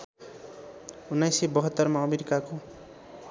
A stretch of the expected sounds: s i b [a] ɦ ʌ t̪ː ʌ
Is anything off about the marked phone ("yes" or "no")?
yes